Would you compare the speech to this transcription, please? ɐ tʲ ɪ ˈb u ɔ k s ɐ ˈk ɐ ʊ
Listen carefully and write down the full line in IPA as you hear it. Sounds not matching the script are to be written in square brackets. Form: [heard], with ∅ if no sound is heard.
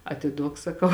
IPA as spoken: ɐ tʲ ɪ [ˈd] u ɔ k s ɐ ˈk ɐ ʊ